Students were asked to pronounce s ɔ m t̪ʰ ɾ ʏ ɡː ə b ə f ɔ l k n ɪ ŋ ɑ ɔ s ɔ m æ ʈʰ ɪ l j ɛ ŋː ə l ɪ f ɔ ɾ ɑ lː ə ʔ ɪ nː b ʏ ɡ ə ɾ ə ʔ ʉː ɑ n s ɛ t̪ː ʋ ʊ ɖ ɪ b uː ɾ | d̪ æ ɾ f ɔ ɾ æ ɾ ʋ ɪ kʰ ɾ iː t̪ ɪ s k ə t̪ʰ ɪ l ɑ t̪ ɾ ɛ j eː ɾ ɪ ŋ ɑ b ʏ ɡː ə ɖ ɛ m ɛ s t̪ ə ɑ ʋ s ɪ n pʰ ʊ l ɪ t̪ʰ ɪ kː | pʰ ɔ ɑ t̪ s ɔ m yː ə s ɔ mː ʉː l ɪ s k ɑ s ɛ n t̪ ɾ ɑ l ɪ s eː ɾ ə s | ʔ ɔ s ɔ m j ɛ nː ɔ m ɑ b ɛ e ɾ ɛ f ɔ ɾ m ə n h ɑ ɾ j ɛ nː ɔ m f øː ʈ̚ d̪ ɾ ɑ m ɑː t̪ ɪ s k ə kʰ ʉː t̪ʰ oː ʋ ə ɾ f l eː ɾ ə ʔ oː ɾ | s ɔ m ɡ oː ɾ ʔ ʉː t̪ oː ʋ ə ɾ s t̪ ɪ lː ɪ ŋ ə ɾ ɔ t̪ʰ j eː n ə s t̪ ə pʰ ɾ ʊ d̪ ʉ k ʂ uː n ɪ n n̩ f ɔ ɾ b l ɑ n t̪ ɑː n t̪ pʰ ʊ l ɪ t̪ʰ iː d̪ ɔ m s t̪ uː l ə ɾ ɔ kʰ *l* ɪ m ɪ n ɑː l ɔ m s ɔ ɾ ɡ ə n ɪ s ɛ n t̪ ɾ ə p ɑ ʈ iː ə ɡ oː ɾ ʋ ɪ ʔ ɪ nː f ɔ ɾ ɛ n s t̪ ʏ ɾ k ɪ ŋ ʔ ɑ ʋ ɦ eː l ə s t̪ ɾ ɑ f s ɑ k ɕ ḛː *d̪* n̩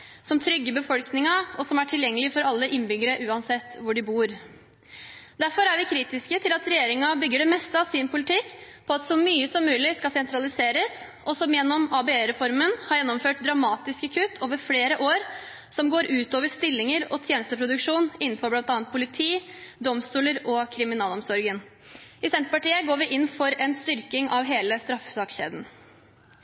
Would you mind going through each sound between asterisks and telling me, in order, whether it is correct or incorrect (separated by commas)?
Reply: incorrect, correct